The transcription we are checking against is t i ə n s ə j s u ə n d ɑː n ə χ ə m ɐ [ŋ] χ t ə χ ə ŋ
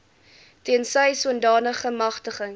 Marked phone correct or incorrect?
incorrect